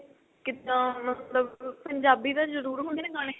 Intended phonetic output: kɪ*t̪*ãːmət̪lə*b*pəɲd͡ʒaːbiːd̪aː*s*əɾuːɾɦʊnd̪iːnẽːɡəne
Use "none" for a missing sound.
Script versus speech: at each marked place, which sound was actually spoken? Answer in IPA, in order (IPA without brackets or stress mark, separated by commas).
t̪, b, z